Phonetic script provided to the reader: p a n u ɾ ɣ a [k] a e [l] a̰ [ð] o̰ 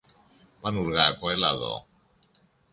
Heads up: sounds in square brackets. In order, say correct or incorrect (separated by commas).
correct, correct, correct